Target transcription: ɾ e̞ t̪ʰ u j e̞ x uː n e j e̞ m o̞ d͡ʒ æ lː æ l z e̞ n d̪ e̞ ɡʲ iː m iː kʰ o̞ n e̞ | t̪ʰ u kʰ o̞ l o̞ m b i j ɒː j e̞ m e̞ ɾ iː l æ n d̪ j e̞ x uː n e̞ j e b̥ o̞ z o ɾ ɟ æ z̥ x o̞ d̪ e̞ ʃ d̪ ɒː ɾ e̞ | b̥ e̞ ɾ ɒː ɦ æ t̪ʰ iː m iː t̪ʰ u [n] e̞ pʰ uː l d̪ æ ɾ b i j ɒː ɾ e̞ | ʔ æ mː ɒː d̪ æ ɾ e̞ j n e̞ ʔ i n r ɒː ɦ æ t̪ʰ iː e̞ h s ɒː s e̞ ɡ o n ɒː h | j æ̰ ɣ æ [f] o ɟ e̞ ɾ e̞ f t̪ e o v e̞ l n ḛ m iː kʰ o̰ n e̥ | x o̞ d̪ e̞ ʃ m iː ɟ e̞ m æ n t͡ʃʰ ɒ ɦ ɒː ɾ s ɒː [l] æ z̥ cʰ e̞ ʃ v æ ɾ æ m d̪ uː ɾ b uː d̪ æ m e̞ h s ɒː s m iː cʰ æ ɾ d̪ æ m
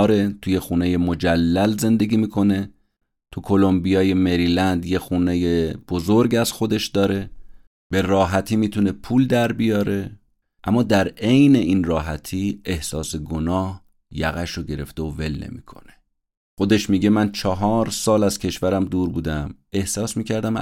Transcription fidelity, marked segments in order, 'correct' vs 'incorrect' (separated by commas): correct, incorrect, correct